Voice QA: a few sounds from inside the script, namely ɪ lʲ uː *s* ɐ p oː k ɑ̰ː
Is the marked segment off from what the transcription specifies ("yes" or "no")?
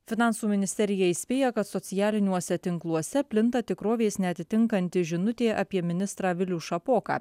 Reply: yes